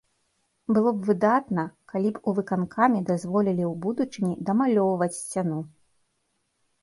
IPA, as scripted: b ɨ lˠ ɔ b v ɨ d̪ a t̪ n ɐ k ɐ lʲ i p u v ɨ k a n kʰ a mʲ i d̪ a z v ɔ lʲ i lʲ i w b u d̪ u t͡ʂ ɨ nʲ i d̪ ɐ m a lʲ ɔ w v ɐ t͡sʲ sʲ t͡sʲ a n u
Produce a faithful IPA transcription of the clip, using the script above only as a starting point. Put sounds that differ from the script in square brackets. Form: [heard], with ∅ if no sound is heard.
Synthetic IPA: b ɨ lˠ ɔ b v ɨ d̪ a t̪ n ɐ k [a] lʲ i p u v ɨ k a n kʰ a mʲ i d̪ a z v ɔ lʲ i lʲ i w b u d̪ u t͡ʂ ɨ nʲ i d̪ ɐ m a lʲ ɔ w v ɐ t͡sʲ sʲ t͡sʲ a n u